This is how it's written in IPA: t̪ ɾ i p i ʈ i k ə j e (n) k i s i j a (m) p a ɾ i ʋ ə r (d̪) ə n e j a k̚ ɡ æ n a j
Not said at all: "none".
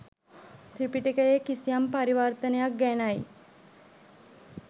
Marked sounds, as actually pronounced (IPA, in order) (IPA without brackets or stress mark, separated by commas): none, m, t̪